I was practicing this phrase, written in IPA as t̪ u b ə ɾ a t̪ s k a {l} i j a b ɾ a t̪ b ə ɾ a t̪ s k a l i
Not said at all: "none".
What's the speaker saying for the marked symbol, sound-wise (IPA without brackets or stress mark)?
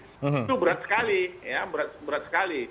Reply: l